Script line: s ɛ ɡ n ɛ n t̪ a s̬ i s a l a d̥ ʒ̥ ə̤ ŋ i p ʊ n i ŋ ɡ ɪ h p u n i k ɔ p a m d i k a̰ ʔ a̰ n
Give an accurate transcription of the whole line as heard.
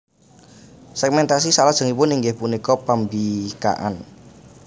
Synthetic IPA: s ɛ ɡ m ɛ n t̪ a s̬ i s a l a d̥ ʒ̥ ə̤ ŋ i p ʊ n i ŋ ɡ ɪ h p u n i k ɔ p a m b i k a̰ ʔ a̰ n